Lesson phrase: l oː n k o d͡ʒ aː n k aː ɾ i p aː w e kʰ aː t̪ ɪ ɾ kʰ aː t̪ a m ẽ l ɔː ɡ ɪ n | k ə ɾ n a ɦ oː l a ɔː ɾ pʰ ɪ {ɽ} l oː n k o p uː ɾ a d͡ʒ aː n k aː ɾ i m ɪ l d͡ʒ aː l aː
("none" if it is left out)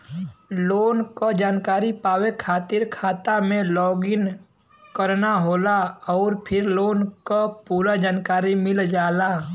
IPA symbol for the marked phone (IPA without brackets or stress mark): ɾ